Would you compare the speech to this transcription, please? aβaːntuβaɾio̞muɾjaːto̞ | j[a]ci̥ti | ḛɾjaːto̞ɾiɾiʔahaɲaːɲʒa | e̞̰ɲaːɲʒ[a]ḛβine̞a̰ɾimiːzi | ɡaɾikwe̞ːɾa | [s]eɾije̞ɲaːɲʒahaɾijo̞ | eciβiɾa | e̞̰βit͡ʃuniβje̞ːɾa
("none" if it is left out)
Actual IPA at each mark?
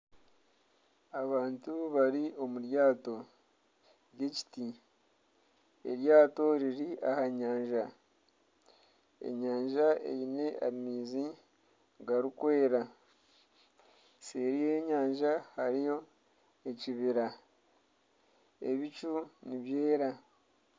e, a, s

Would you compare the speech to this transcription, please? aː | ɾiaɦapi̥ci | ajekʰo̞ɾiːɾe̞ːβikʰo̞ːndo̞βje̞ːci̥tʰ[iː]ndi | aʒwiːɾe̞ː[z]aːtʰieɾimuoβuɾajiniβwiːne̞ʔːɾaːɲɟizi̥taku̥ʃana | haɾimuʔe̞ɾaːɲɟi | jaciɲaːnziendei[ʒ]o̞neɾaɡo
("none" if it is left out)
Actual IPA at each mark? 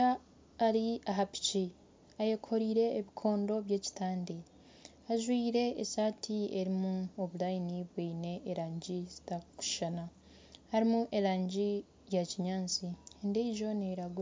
aː, s, ʒ

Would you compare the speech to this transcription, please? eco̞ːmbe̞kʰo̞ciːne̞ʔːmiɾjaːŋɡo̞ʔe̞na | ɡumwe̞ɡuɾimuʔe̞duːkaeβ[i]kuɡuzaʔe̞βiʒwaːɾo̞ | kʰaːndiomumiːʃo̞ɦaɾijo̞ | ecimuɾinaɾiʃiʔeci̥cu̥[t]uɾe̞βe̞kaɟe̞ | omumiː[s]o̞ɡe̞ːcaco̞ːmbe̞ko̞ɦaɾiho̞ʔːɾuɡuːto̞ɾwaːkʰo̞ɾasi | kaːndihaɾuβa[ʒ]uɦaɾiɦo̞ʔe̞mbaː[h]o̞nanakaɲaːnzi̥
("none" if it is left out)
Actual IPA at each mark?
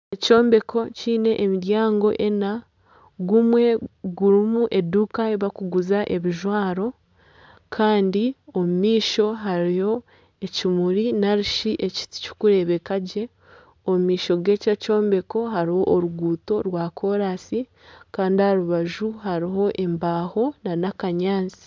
a, k, ʃ, ʒ, h

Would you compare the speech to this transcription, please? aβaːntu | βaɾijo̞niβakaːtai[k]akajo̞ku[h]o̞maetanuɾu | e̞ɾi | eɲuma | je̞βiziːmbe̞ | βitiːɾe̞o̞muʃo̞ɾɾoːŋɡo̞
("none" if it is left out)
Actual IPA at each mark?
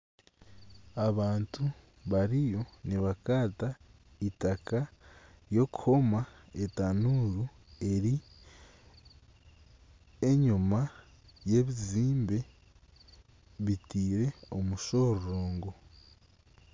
t, h

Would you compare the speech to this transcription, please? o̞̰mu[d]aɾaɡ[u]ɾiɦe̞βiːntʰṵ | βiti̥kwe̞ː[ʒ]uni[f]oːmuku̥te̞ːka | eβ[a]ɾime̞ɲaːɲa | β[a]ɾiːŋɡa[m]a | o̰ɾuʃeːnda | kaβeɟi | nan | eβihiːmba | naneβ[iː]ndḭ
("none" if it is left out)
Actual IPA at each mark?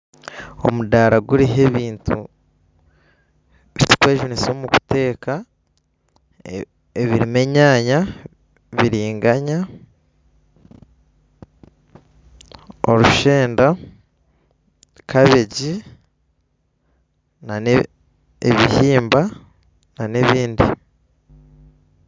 d, u, ʒ, s, i, i, ɲ, iː

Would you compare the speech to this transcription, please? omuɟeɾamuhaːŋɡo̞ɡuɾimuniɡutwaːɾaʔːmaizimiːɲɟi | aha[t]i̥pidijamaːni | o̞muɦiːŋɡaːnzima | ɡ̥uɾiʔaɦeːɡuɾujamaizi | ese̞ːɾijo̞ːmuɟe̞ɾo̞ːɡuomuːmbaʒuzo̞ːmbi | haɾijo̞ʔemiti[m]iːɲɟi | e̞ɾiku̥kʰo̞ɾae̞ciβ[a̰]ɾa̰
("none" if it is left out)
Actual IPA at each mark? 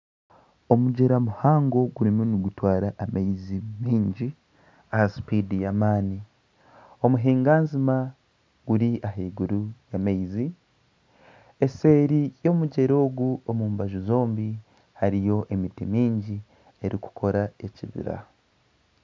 s, m, ḭ

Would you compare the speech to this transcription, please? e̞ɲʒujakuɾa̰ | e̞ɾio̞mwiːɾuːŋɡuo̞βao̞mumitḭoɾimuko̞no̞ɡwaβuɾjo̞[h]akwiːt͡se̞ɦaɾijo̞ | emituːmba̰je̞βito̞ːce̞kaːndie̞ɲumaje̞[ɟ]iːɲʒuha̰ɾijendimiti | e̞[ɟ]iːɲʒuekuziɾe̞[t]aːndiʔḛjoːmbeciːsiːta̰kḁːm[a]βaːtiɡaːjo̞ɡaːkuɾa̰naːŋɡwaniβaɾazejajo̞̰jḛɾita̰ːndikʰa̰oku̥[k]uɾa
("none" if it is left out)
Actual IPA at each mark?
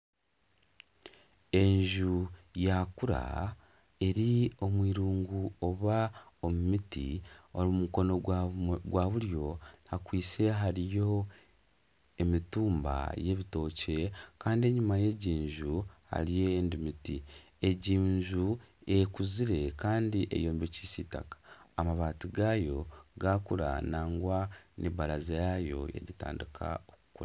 h, ɟ, ɟ, k, a, k

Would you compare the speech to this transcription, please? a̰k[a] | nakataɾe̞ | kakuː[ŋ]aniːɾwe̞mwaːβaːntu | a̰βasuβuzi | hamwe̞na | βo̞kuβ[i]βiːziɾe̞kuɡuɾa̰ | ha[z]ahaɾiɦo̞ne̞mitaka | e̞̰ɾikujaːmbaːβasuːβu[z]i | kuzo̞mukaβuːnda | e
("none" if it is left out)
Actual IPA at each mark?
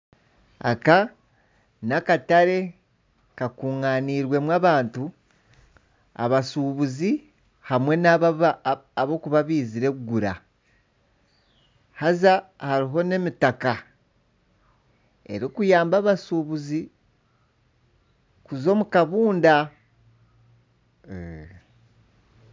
a, ŋ, a, z, z

